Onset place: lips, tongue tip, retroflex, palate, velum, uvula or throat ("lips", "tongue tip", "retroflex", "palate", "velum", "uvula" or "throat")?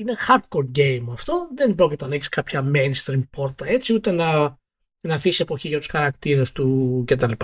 tongue tip